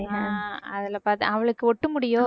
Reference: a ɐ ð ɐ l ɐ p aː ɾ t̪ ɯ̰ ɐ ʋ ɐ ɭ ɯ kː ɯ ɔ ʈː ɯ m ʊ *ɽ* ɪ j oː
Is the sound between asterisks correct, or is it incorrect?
correct